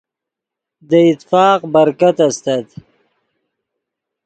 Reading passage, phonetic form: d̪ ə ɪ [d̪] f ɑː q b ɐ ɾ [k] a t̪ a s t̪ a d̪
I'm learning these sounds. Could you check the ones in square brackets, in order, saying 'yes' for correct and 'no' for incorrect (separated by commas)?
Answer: no, yes